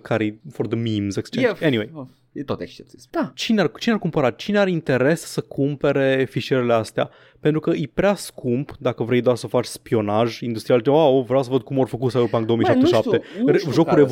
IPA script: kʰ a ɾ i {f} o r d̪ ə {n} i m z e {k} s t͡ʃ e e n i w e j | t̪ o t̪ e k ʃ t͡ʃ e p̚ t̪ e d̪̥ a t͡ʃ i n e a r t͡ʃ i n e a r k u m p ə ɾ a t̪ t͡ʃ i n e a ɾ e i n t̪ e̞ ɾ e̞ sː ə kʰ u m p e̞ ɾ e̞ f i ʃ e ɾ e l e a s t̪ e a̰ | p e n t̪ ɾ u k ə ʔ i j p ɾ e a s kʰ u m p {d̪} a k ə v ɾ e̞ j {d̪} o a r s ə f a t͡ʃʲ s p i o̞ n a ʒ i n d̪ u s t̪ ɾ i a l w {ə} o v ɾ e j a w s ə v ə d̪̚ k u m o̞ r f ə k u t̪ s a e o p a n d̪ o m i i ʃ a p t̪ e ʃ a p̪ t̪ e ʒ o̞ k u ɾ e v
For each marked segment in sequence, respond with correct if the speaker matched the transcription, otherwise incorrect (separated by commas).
correct, incorrect, correct, correct, correct, incorrect